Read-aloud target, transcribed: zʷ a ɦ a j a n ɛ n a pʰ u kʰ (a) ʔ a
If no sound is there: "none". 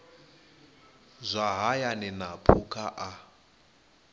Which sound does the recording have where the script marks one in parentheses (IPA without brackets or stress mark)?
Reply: a